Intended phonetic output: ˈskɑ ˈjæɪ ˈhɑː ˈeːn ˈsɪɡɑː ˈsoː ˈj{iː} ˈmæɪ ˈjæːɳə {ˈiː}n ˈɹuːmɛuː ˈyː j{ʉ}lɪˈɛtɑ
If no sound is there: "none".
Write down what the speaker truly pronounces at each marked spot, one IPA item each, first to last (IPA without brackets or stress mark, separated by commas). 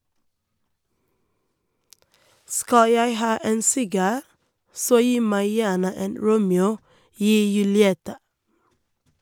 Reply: iː, eː, ʉ